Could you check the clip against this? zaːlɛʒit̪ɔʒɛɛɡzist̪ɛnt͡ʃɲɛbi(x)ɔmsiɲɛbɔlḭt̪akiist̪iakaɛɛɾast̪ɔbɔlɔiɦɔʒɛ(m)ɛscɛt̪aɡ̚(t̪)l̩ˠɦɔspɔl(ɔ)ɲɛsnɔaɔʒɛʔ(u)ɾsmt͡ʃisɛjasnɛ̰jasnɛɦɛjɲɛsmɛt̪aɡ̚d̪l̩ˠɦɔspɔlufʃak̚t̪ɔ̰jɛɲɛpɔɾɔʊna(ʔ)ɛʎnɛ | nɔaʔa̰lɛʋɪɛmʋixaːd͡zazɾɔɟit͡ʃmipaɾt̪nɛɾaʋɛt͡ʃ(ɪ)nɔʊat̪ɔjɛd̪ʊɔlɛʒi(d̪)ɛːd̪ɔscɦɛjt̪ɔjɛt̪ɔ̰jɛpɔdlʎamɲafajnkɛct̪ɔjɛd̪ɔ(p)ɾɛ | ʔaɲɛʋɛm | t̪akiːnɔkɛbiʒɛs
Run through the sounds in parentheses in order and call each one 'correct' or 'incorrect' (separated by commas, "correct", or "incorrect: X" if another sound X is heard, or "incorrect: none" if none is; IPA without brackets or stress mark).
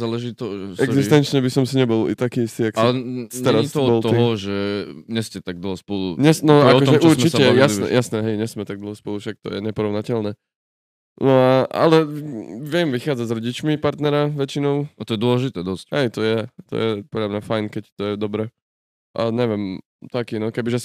incorrect: s, incorrect: ɲ, incorrect: d̪, incorrect: u, correct, incorrect: c, incorrect: i, incorrect: t̪, incorrect: b